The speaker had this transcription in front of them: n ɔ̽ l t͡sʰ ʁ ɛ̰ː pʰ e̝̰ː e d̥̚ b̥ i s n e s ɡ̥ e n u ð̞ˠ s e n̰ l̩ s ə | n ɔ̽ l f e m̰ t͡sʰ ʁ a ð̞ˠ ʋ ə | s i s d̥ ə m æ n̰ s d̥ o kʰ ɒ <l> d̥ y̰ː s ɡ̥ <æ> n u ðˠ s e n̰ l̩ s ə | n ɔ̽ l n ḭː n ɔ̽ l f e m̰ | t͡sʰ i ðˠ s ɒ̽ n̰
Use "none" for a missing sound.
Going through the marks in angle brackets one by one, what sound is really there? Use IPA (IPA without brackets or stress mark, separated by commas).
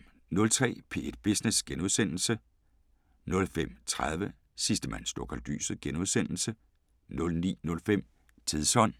l, e